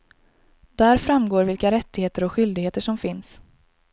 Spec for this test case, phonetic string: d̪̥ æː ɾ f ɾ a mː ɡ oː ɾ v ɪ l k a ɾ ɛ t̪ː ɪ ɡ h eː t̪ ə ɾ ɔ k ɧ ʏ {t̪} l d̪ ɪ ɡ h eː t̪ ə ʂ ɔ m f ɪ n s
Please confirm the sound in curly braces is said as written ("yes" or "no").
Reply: no